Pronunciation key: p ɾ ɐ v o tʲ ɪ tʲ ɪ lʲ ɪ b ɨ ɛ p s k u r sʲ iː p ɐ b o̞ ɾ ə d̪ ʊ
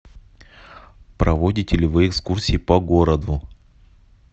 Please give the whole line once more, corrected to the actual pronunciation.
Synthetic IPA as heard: p ɾ ɐ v o dʲ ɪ tʲ ɪ lʲ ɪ v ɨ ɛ k s k u r sʲ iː p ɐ ɡ o̞ ɾ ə d̪ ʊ